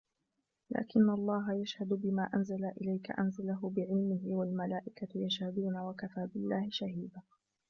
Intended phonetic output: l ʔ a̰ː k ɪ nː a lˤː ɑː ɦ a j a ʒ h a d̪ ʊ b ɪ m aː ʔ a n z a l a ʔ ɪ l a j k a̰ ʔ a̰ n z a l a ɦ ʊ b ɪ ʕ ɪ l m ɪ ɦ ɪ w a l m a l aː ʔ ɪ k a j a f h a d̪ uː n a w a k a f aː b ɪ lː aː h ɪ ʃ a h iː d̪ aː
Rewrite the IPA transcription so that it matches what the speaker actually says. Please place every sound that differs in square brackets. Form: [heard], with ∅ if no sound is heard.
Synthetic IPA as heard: l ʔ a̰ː k ɪ nː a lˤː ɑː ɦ a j a [ʃ] h a d̪ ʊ b ɪ m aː ʔ a n z a l a ʔ ɪ l a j k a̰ ʔ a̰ n z a l a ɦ ʊ b ɪ ʕ ɪ l m ɪ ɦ ɪ w a l m a l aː ʔ ɪ k a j a [ʃ] h a d̪ uː n a w a k a f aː b ɪ lː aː h ɪ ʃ a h iː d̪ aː